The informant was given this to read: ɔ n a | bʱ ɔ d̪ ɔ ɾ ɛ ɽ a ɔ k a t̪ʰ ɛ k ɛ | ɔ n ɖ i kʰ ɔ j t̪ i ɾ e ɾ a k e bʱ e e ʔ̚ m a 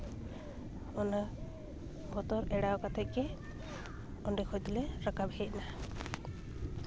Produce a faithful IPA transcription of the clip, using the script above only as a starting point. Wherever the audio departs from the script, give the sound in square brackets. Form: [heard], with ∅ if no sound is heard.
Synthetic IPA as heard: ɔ n a | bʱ ɔ [t̪] ɔ ɾ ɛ ɽ a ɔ k a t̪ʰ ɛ k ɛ | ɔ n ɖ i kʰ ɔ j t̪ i [l] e ɾ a k [a] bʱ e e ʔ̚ [n] a